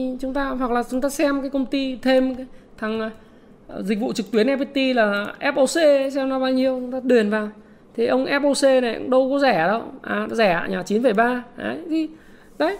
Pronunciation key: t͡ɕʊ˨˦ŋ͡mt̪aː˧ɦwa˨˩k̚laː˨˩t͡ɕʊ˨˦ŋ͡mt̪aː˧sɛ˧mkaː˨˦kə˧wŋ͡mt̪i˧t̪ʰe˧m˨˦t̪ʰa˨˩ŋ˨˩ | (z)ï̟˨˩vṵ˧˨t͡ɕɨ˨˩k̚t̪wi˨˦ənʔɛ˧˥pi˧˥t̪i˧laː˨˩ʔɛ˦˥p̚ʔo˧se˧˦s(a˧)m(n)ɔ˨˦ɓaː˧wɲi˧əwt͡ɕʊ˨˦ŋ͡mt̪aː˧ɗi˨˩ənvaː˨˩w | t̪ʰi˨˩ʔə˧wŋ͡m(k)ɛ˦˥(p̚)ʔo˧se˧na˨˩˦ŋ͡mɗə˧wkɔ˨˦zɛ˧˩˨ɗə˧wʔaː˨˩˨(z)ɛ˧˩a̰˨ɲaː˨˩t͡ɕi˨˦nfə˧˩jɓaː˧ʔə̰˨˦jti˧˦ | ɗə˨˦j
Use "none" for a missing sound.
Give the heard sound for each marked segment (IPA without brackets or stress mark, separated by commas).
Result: z, ɛ˧, n, ʔ, p̚, z